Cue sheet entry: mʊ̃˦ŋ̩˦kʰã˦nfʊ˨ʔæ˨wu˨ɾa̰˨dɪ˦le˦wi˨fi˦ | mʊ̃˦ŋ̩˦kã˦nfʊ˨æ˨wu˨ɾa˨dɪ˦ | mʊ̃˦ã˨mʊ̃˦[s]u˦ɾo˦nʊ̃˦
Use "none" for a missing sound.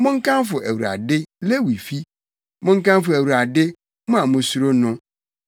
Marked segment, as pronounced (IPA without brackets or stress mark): s